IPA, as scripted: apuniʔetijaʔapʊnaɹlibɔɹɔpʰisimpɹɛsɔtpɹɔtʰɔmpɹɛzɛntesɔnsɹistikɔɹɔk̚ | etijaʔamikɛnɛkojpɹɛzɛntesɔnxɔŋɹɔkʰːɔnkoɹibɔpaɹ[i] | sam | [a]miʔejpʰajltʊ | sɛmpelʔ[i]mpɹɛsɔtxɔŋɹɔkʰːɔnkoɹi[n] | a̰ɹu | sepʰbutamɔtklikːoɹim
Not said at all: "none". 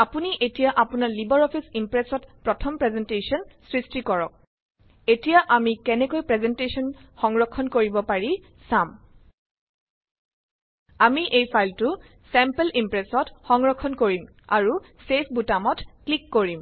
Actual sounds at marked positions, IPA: i, a, i, m

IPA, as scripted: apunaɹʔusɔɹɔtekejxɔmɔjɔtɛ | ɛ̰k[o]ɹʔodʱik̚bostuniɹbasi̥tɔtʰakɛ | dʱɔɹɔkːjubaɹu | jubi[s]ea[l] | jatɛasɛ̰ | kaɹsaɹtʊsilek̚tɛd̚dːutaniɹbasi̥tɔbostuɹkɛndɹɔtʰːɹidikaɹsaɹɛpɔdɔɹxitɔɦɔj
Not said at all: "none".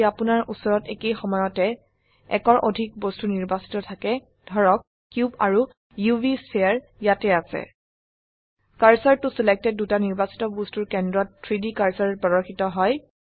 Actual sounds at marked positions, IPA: ɔ, s, ɹ

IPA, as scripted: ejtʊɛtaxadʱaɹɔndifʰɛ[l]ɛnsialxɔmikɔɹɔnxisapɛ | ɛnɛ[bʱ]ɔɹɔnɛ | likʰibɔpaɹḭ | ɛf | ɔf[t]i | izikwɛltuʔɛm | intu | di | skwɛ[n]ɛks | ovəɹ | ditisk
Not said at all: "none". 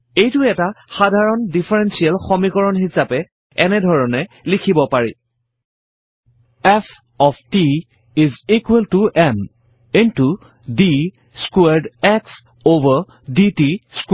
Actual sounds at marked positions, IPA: ɹ, dʱ, t, d

